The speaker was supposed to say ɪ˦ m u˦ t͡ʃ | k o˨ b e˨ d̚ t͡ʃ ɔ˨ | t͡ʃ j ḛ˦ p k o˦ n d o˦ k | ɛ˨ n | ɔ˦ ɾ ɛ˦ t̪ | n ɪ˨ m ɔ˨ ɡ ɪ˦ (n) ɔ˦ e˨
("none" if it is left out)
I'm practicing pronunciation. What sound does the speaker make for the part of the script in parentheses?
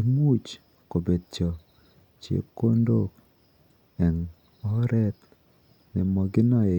n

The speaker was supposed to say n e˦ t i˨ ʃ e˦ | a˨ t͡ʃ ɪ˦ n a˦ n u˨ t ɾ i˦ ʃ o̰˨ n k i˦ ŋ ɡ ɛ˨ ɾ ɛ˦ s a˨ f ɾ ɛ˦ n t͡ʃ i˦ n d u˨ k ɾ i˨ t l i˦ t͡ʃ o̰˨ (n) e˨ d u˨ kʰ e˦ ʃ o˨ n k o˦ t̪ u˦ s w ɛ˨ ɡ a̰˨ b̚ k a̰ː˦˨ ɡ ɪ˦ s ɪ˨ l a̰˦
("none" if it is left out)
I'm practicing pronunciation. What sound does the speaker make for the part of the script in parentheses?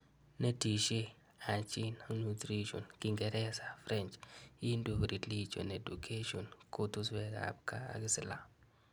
n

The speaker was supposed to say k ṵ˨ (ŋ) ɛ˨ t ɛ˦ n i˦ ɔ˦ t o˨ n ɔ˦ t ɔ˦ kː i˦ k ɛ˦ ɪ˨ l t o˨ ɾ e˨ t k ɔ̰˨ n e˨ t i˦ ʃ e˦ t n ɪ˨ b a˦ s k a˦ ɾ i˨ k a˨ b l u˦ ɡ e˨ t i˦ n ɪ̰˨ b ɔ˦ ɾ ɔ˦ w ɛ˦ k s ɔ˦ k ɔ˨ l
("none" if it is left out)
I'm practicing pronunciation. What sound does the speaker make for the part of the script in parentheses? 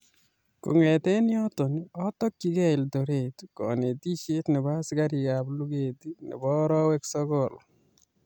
ŋ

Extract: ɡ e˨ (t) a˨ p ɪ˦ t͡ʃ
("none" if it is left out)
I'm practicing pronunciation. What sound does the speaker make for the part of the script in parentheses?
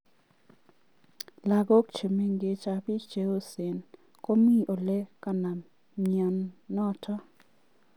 t͡ʃ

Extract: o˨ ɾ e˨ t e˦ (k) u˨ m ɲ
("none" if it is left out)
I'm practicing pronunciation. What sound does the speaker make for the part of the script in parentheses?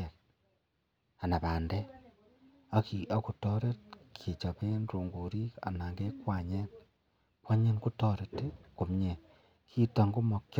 k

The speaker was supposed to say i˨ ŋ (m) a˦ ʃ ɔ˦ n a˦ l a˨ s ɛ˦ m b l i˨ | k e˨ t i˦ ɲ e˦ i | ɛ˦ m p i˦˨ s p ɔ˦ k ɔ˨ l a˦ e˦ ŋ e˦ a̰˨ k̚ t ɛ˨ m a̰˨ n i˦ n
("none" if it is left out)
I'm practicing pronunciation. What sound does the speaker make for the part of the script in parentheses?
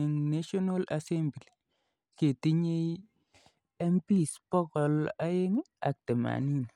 n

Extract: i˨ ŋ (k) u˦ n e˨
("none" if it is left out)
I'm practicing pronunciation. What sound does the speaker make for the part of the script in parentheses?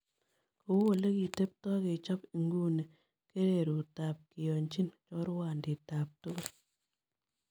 ɡ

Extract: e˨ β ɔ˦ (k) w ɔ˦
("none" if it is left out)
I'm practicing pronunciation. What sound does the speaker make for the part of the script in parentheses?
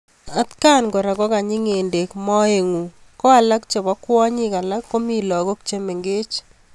k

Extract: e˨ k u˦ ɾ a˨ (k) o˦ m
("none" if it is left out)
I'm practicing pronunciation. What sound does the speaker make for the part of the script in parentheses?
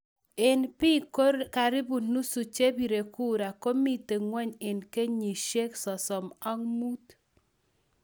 k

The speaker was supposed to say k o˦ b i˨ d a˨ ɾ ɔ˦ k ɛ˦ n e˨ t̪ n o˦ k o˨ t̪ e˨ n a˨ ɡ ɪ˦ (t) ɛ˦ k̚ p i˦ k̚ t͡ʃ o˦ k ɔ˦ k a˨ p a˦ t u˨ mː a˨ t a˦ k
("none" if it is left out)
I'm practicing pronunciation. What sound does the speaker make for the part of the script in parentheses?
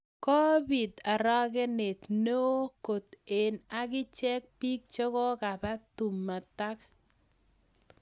t͡ʃ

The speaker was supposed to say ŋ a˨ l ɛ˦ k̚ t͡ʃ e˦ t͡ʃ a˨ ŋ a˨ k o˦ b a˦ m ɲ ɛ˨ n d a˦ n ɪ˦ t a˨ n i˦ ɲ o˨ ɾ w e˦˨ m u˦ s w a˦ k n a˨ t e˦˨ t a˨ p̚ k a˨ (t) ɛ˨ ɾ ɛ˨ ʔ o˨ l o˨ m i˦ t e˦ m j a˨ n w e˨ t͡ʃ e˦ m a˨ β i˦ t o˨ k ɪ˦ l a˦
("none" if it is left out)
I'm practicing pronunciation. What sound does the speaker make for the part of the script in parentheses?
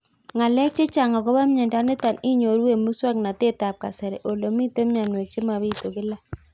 s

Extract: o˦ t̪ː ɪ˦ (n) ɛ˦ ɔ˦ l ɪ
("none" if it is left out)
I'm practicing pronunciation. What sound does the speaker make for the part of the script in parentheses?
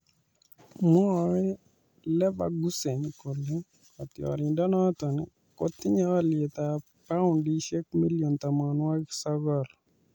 ɲ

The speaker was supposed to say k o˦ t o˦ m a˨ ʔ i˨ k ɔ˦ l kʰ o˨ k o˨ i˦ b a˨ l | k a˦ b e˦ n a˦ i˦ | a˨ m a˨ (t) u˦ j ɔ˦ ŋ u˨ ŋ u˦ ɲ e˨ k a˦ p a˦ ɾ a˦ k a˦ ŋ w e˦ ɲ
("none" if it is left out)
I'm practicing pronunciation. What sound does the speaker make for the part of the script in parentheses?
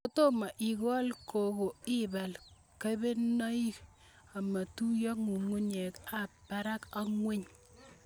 t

